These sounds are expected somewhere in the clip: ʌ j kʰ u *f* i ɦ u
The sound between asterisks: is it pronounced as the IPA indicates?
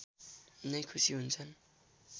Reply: no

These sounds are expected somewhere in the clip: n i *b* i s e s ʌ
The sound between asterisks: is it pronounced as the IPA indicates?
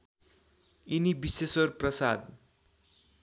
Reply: yes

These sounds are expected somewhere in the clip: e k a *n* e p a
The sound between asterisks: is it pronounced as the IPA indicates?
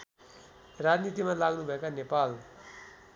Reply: yes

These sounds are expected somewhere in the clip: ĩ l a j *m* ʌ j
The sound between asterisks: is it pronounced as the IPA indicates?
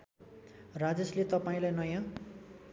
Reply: no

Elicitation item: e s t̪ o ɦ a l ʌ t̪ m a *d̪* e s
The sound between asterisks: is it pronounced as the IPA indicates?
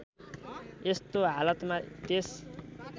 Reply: no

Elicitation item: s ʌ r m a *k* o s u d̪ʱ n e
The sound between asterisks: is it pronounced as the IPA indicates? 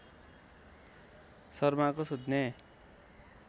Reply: yes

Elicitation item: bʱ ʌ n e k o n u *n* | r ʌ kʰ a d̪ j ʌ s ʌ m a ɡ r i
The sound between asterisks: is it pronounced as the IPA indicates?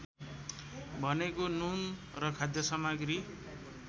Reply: yes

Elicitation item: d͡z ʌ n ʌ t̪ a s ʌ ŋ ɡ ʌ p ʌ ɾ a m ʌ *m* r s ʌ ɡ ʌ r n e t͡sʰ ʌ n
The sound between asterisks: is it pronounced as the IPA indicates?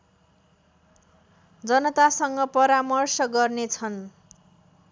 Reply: no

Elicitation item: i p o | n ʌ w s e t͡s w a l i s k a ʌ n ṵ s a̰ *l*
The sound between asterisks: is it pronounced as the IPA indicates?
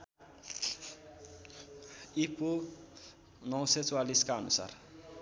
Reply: no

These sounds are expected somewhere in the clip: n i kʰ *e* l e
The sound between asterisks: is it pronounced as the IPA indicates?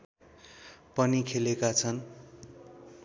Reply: yes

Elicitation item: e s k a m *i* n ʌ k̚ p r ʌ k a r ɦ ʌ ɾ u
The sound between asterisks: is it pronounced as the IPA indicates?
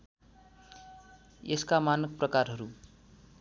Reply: no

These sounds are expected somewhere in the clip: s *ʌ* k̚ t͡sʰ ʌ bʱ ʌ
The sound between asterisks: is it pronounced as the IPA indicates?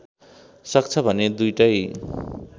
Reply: yes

